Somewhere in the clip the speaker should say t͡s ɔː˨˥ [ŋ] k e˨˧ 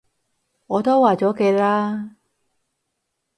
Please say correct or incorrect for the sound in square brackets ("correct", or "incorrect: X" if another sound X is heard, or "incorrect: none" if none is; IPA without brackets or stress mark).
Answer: incorrect: none